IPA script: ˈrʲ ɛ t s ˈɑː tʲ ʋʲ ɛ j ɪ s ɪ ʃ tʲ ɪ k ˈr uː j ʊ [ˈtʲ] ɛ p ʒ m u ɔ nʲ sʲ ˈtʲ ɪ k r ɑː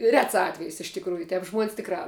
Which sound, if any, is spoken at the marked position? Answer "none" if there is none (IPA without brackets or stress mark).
tʲ